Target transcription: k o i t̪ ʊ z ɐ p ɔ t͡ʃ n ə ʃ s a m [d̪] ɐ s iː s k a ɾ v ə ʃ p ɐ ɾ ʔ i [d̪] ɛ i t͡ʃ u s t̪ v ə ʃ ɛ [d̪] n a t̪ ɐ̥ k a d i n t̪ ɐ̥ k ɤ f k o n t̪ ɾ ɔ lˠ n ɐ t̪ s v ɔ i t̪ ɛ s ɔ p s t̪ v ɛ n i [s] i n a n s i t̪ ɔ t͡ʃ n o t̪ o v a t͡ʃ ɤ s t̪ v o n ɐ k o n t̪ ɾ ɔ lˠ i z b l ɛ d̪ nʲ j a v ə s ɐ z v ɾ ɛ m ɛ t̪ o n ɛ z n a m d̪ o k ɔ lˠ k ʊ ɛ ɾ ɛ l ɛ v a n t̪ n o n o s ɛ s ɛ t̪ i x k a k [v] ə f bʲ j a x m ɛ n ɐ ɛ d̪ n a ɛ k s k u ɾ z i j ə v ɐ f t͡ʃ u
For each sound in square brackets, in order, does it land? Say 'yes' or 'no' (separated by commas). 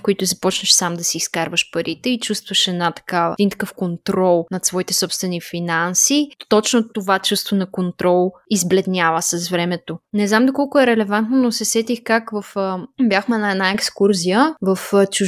yes, no, yes, no, yes